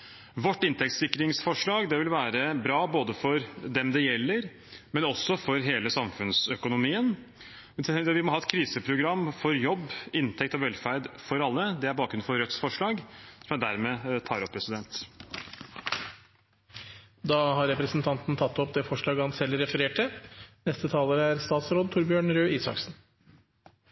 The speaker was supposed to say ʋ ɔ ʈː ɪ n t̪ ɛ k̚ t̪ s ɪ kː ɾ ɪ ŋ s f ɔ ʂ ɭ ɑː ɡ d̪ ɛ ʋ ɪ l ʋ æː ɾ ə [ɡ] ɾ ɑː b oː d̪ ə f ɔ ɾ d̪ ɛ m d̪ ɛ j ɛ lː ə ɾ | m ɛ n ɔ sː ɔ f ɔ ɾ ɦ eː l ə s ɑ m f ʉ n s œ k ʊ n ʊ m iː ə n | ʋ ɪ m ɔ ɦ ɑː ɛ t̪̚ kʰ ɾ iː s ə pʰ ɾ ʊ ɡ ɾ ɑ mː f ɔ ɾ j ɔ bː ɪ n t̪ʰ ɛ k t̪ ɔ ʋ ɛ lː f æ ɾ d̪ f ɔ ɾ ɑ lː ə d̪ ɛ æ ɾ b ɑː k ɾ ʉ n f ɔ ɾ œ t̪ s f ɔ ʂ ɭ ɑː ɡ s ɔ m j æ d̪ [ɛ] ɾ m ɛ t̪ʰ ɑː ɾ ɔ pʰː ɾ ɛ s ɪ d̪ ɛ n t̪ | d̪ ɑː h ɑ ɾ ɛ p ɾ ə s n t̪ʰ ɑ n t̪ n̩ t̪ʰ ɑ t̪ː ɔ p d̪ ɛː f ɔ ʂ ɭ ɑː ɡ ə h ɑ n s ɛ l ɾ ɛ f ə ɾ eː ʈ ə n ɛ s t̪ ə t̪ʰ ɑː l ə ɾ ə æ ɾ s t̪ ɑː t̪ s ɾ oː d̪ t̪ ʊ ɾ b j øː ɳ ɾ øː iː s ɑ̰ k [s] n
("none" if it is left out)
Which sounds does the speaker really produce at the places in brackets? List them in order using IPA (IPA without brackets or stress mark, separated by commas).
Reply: b, æ, s